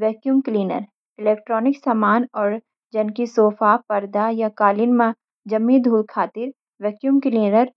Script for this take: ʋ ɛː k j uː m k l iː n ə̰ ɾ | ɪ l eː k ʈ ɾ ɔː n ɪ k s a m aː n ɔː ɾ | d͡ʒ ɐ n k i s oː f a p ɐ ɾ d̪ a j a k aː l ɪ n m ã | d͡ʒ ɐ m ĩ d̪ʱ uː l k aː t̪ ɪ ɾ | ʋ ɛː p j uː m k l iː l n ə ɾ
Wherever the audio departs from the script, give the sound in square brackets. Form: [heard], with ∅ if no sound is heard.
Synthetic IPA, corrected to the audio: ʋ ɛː k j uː m k l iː n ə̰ ɾ | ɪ l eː k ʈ ɾ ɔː n ɪ k s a m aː n ɔː ɾ | d͡ʒ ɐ n k i s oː f a p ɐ ɾ d̪ a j a k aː l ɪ n m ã | d͡ʒ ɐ m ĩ d̪ʱ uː l [kʰ] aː t̪ ɪ ɾ | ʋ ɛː [k] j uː m k l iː [∅] n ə ɾ